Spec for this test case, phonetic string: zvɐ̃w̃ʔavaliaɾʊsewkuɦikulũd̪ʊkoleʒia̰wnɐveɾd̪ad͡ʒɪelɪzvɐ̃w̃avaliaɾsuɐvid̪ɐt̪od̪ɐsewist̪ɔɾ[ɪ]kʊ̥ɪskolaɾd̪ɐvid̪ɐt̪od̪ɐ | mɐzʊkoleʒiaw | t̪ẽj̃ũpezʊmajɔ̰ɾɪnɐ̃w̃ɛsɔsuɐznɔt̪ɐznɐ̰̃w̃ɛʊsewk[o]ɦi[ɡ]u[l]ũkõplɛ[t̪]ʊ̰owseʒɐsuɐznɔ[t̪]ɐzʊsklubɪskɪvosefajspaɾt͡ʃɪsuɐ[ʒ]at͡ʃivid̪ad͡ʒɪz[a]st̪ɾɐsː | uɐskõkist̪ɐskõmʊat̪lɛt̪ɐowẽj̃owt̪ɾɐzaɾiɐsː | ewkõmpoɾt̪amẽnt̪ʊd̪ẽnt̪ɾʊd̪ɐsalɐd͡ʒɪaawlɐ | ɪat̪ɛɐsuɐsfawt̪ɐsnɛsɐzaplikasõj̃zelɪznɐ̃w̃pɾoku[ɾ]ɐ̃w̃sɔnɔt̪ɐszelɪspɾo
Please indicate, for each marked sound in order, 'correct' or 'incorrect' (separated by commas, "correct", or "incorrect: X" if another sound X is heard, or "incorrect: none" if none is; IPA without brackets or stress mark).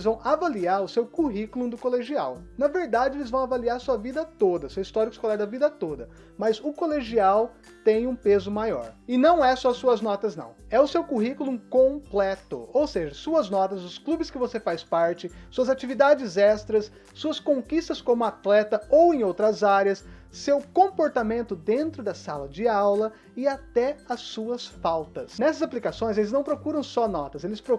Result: incorrect: i, incorrect: u, incorrect: k, correct, correct, correct, incorrect: z, incorrect: ɛ, correct